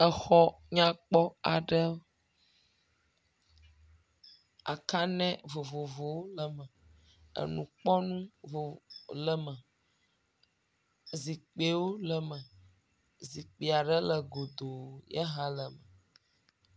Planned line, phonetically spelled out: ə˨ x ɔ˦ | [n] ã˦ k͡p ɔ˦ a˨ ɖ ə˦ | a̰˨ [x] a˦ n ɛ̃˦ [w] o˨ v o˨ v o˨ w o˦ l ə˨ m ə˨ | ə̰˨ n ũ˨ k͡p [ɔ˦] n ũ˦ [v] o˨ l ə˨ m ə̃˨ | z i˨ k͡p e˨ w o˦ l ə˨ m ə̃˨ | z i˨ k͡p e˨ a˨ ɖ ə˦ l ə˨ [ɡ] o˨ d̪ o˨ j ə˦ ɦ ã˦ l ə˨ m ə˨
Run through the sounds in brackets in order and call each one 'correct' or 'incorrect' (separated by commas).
incorrect, incorrect, incorrect, correct, correct, correct